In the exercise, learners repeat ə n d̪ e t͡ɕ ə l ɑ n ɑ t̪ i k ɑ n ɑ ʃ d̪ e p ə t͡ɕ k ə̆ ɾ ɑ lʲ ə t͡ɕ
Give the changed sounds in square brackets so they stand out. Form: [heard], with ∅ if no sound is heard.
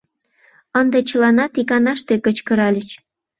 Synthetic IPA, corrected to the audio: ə n d̪ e t͡ɕ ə l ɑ n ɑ t̪ i k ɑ n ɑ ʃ [t̪] e [k] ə t͡ɕ k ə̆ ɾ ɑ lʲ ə t͡ɕ

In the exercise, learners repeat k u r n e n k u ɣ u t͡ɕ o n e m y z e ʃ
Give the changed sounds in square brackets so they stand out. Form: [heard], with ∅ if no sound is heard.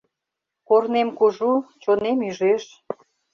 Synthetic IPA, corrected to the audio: k [o] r n e [m] k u [ʒ] u t͡ɕ o n e m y [ʒ] e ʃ

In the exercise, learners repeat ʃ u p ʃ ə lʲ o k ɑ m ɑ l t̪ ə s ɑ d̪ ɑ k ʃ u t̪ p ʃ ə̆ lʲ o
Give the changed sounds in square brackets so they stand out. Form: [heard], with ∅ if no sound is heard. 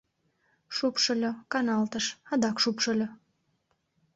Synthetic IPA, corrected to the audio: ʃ u p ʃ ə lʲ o k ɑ [n] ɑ l t̪ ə [ʃ] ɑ d̪ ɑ k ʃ u [∅] p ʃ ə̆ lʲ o

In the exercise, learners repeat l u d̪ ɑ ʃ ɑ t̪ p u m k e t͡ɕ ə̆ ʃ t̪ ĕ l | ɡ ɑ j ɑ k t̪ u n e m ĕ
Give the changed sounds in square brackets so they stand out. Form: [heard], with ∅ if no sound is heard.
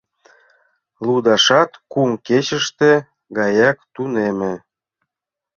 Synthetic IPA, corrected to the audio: l u d̪ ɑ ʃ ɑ t̪ [k] u m k e t͡ɕ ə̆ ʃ t̪ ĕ [∅] | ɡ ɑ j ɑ k t̪ u n e m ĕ

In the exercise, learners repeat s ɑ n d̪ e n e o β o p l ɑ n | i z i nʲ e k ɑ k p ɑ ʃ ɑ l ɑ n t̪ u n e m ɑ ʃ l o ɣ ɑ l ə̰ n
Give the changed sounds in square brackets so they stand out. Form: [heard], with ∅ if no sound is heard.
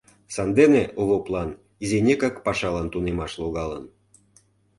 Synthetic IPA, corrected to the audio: s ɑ n d̪ e n e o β o p l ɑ n | i z [e] nʲ e k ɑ k p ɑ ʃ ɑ l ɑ n t̪ u n e m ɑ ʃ l o ɣ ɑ l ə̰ n

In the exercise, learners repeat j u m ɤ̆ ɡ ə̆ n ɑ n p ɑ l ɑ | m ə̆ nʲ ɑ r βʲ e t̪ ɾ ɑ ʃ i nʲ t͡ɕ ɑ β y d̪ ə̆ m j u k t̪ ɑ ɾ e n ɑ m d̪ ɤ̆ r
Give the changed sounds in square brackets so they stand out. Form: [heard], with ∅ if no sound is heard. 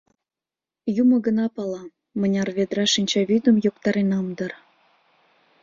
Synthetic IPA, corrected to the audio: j u m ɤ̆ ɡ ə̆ n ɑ [∅] p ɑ l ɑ | m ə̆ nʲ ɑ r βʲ e [d̪] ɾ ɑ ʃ i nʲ t͡ɕ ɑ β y d̪ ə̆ m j [o] k t̪ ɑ ɾ e n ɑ m d̪ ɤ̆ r

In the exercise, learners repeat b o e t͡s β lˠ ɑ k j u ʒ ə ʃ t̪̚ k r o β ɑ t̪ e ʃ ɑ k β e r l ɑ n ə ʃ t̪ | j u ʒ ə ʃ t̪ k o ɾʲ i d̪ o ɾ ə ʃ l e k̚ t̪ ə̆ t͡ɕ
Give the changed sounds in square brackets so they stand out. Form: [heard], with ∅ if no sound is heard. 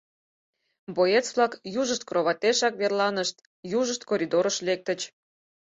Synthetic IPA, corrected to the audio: b o e t͡s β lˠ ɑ k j u ʒ ə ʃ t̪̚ k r o β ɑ t̪ e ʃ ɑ k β e r l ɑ n ə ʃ t̪ | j u ʒ ə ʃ t̪ k o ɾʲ i d̪ o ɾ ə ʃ l e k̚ t̪ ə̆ t͡ɕ

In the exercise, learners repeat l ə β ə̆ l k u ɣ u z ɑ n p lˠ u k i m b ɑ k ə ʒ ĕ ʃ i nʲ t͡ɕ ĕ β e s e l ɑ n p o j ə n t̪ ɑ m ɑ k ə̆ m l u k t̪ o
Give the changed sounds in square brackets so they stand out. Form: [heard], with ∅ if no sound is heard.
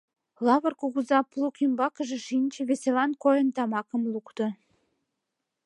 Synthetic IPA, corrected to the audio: l [ɑ] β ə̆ [r] k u ɣ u z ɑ [∅] p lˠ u k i m b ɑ k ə ʒ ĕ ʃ i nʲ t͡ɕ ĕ β e s e l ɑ n [k] o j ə n t̪ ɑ m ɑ k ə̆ m l u k t̪ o

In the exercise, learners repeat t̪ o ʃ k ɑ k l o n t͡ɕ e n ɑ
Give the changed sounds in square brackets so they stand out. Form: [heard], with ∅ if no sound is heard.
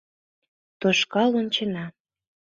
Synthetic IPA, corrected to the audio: t̪ o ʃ k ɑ [∅] l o n t͡ɕ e n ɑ

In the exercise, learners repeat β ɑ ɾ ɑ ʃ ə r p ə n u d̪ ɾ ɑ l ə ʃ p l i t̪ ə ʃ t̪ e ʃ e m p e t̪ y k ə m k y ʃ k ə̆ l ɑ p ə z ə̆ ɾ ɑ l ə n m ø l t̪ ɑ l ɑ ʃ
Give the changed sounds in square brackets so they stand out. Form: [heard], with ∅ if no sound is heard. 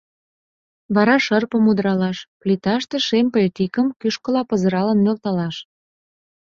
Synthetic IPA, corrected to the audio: β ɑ ɾ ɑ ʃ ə r p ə [m] u d̪ ɾ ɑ l [ɑ] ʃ p l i t̪ [ɑ] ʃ t̪ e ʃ e m p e t̪ [i] k ə m k y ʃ k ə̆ l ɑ p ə z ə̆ ɾ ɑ l ə n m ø l t̪ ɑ l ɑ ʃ

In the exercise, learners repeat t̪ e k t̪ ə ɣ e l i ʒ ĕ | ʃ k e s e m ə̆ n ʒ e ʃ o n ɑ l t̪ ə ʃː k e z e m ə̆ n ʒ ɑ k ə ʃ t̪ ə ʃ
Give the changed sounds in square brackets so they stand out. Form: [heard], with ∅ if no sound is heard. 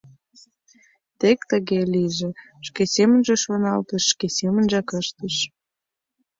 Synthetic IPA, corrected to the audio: t̪ e k t̪ ə ɣ e l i ʒ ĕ | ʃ k e s e m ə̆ n ʒ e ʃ o n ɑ l t̪ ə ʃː k e [s] e m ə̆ n ʒ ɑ k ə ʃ t̪ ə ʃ

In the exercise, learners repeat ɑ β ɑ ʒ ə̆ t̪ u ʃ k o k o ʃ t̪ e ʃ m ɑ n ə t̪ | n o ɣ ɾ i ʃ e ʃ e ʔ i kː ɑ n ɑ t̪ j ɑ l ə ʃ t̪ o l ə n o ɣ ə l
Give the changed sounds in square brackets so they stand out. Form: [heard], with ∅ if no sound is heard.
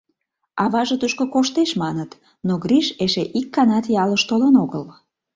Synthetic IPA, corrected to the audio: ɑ β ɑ ʒ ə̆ t̪ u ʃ k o k o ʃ t̪ e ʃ m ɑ n ə t̪ | n o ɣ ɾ i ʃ e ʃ e ʔ i kː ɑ n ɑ t̪ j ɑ l ə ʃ t̪ o l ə n o ɣ ə l

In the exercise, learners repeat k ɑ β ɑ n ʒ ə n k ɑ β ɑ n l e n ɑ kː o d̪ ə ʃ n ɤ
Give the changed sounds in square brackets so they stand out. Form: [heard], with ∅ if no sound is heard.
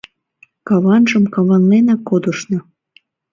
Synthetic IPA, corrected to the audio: k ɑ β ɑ n ʒ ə [m] k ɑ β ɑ n l e n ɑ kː o d̪ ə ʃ n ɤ

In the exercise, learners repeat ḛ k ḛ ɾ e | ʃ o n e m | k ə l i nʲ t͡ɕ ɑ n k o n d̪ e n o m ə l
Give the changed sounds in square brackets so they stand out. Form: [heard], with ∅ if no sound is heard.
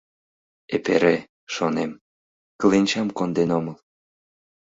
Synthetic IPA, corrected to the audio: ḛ [p] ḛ ɾ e | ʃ o n e m | k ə l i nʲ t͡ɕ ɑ [m] k o n d̪ e n o m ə l

